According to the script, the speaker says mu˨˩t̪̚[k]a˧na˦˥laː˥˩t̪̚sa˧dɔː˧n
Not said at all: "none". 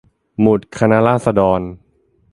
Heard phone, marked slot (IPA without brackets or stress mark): kʰ